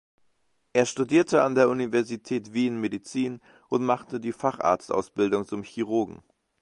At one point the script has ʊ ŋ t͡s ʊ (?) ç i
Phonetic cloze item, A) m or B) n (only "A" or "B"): A